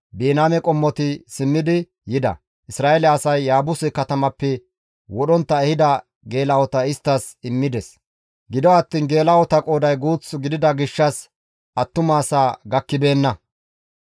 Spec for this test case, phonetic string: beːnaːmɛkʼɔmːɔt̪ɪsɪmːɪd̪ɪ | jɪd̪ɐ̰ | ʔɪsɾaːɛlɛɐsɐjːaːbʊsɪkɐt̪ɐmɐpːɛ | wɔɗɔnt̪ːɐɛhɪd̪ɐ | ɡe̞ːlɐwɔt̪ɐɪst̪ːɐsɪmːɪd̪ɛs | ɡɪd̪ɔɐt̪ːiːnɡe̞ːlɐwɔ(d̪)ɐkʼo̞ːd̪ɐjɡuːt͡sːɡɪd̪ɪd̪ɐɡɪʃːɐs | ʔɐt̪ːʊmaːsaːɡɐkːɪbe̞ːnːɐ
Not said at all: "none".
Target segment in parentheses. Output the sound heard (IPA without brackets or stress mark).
t̪